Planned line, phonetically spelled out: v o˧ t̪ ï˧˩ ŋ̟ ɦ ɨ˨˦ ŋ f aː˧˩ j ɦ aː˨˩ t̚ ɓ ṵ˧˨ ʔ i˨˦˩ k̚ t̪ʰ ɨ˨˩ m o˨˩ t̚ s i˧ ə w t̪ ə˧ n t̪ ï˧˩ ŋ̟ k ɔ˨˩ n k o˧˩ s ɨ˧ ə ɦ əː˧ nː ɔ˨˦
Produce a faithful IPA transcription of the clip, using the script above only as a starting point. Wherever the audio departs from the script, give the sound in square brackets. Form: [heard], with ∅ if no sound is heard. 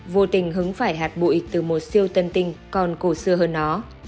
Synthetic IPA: v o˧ t̪ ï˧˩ ŋ̟ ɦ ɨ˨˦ ŋ f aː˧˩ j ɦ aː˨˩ t̚ ɓ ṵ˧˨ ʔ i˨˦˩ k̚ [t̪] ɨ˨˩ m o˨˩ t̚ s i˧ ə w t̪ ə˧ n t̪ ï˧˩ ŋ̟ k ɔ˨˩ n k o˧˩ s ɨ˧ ə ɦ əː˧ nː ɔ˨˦